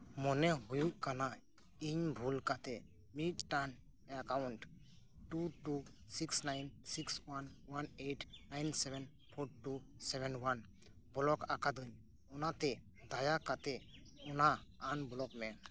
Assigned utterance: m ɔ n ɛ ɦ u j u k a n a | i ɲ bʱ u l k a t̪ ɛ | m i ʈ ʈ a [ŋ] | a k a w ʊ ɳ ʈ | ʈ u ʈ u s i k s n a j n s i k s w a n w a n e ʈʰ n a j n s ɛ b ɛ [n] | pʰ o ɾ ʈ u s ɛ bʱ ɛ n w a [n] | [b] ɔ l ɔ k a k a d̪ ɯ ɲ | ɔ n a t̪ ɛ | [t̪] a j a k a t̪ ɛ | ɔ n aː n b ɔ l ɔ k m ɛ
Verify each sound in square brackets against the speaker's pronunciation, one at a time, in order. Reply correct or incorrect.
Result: incorrect, correct, correct, correct, incorrect

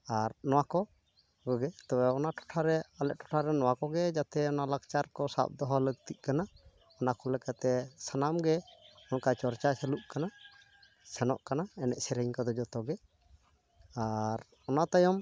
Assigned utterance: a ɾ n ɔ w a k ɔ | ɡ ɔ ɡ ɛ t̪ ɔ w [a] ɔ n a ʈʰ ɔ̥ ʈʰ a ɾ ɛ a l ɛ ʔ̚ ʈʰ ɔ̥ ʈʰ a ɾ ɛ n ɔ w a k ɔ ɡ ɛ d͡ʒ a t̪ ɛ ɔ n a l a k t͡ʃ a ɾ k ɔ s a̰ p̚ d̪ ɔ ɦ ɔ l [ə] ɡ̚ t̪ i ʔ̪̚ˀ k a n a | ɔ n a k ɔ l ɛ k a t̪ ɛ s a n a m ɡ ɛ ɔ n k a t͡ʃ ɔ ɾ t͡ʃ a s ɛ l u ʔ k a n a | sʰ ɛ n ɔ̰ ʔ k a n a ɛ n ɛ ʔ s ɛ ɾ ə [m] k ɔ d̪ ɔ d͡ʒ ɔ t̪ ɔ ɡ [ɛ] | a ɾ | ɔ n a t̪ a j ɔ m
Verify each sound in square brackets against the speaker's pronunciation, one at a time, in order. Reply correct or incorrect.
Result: incorrect, correct, incorrect, correct

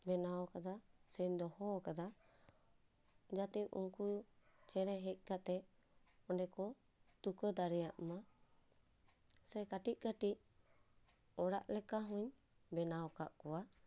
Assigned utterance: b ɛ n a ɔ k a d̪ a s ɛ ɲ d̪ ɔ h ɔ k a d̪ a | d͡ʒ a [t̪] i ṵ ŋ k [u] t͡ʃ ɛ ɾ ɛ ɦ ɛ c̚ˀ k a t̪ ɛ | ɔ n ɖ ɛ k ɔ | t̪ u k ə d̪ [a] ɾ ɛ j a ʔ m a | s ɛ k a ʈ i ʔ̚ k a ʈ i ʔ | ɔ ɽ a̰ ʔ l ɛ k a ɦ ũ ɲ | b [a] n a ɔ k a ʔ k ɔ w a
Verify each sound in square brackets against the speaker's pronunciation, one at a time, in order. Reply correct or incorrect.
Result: correct, correct, correct, incorrect

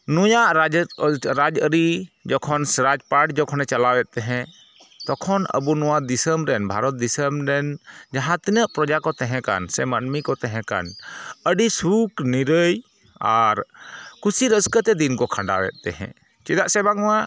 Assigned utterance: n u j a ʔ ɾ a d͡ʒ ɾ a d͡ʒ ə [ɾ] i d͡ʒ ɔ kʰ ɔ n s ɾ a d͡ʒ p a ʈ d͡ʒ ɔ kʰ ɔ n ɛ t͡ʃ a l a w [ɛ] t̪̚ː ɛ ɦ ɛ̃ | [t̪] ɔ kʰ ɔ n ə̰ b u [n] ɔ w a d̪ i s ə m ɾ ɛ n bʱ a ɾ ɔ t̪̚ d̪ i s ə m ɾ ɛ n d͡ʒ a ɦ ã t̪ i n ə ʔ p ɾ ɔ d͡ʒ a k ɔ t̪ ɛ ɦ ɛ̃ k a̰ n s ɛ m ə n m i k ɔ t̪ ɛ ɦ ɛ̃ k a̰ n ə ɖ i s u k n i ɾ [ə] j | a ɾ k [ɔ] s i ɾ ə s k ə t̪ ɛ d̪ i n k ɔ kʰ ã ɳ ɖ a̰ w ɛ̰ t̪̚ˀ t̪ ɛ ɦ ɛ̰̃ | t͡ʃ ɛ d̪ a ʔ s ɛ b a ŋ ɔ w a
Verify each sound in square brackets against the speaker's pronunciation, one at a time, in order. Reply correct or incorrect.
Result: correct, correct, correct, correct, correct, incorrect

